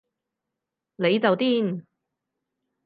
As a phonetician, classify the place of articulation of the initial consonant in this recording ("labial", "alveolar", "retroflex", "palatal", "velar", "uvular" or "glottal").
alveolar